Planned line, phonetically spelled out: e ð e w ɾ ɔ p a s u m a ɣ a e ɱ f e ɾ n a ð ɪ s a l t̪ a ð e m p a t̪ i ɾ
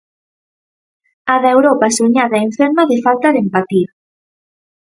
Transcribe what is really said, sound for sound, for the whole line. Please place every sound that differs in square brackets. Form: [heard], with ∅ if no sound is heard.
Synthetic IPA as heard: [a] ð e w ɾ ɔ p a s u [ɲ] a [ð] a e ɱ f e ɾ [m] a ð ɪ [f] a l t̪ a ð e m p a t̪ i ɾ